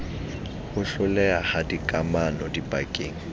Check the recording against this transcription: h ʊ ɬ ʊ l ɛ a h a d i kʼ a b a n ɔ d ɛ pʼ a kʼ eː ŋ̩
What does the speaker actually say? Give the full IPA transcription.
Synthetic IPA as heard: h ʊ ɬ ʊ l ɛ a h a d i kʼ a m a n ɔ d i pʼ a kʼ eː ŋ̩

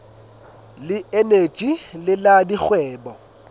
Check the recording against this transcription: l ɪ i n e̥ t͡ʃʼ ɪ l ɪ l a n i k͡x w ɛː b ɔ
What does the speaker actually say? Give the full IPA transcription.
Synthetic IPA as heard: l ɪ e n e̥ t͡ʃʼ i l ɪ l a d i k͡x w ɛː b ɔ

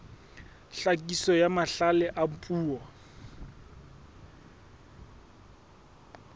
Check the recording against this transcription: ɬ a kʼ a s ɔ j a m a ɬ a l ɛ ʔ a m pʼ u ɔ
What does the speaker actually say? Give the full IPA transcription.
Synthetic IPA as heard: ɬ a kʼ i s ɔ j a m a ɬ a l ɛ ʔ a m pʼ uː ɔ

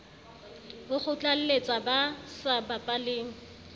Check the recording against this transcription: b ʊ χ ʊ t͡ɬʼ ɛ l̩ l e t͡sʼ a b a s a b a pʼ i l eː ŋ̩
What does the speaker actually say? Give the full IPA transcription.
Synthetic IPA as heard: b ʊ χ ʊ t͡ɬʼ a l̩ l e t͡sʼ a b a s a b a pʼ a l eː ŋ̩

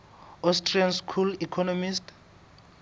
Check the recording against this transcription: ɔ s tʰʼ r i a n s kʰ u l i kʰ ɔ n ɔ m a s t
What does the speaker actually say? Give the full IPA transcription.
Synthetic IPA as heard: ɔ s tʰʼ r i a n s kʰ u l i kʰ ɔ n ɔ m i s t

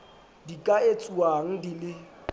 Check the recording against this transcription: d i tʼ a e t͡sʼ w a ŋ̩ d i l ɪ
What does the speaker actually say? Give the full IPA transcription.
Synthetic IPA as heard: d i kʼ a e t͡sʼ u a ŋ̩ d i l ɪ

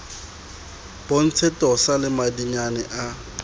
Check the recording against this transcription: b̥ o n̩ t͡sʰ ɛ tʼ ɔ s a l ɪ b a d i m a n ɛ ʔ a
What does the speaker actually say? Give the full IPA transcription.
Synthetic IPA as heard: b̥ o n̩ t͡sʰ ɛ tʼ ɔ s a l ɪ m a d i ɲ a n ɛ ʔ a

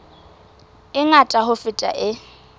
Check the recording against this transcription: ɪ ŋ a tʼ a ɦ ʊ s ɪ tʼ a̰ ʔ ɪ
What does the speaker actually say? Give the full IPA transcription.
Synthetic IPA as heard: ɪ ŋ a tʼ a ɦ ʊ f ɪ tʼ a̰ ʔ ɪ

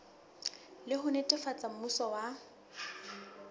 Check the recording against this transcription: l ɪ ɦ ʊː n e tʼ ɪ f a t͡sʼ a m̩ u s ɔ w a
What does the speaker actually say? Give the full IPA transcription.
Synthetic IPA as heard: l ɪ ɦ ʊ n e tʼ ɪ f a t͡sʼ a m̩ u s ɔ w a

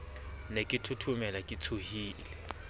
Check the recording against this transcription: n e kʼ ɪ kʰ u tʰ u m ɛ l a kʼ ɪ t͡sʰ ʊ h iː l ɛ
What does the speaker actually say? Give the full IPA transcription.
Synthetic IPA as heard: n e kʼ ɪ tʰ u tʰ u m ɛ l a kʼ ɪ t͡sʰ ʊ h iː l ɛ

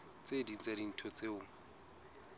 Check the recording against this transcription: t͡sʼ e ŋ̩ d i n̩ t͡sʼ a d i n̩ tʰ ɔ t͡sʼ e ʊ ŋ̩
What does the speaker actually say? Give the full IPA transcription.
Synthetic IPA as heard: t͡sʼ e d i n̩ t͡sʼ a d i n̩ tʰ ɔ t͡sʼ e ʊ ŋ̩

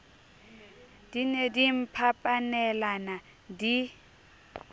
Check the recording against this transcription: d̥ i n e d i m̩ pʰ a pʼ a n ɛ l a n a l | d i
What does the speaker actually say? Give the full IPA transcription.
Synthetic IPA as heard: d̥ i n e d i m̩ pʰ a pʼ a n ɛ l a n a | d i

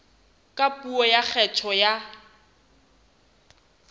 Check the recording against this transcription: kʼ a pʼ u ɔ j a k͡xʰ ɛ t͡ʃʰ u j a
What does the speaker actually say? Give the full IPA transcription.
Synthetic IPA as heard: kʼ a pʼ u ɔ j a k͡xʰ ɛ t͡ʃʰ ɔ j a

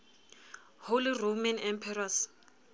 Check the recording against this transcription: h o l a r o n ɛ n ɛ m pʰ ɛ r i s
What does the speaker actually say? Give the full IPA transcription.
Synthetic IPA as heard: h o l i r o m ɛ n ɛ m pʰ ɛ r a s

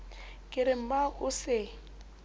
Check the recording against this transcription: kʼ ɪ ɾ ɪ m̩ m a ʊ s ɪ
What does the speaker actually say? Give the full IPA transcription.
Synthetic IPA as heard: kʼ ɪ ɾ ɪ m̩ b a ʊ s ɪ

